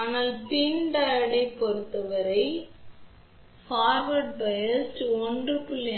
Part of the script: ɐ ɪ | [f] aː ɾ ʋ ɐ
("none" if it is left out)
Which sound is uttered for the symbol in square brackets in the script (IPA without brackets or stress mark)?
f